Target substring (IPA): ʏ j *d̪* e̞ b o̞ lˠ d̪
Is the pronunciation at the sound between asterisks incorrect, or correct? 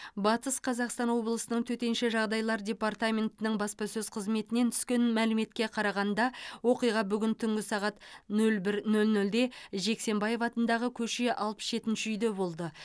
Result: correct